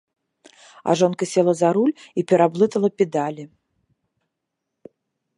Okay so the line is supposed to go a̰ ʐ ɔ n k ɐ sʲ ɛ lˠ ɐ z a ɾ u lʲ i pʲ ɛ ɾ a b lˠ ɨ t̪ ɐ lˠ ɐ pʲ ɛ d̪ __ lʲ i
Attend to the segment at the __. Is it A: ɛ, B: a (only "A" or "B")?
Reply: B